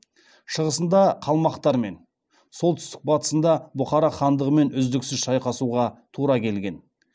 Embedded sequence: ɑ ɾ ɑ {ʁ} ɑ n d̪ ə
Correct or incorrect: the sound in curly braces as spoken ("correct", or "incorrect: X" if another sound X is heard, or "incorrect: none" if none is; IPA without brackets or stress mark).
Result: incorrect: χ